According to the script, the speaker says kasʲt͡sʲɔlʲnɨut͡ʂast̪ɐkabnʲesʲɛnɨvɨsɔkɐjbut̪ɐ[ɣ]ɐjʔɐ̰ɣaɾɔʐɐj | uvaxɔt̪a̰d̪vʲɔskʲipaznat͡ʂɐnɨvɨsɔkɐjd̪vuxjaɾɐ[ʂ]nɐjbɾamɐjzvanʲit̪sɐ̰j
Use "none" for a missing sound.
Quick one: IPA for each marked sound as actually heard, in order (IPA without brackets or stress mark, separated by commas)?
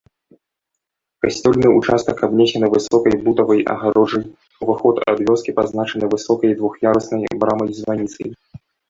v, s